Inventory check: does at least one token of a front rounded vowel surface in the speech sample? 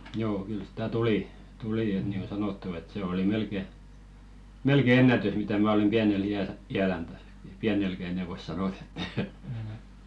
yes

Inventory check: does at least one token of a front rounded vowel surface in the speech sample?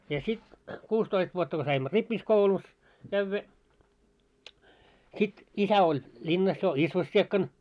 no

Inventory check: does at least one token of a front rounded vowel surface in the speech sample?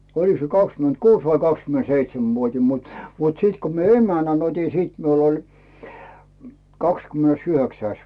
yes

